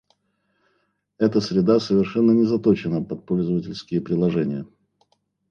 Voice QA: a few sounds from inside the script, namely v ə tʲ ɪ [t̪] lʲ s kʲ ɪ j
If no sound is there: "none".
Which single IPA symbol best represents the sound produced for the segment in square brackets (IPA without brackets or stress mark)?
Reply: none